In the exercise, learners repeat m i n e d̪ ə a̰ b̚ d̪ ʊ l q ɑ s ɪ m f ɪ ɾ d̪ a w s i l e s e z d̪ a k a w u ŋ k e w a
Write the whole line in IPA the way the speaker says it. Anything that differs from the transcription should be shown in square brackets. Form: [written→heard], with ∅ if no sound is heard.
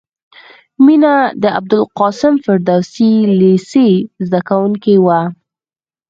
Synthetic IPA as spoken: m i n [e→a] d̪ ə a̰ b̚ d̪ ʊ l q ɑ s ɪ m f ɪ ɾ d̪ a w s i l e s e z d̪ a k a w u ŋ k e w a